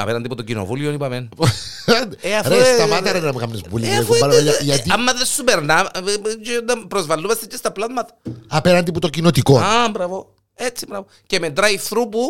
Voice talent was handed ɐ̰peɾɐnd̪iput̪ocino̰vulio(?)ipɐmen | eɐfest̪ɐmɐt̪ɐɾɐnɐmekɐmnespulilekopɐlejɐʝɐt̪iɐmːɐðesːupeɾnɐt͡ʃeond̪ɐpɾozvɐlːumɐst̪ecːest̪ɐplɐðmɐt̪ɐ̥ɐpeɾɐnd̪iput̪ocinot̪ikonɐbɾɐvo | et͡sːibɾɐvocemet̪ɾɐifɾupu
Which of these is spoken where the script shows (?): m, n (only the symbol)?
n